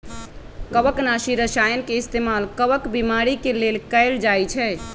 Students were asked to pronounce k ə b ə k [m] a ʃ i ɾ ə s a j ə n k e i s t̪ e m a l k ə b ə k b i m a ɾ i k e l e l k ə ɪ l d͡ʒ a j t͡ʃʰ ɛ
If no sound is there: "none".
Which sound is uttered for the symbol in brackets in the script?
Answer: n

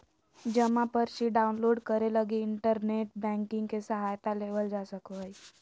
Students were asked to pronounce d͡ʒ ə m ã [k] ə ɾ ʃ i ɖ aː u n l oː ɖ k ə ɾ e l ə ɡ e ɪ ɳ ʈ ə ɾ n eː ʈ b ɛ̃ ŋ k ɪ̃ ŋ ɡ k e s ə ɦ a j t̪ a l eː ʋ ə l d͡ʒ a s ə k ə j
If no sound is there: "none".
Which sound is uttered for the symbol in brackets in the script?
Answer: p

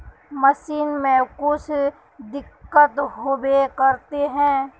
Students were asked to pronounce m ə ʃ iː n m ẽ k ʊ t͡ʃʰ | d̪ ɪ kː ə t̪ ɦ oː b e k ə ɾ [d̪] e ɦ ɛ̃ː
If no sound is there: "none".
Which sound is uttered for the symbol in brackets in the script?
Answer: t̪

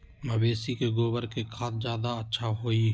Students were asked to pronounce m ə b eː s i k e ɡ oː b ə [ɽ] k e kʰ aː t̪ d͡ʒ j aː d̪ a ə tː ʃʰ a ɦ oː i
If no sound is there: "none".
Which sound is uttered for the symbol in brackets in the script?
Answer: ɾ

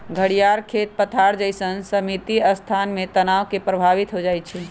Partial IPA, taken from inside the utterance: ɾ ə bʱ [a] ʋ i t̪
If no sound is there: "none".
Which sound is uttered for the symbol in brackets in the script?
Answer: a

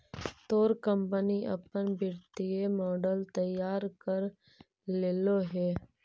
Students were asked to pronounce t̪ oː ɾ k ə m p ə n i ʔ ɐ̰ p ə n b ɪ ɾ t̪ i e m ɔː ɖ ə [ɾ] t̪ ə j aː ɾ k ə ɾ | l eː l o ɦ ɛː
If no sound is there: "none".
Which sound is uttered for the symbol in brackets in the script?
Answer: l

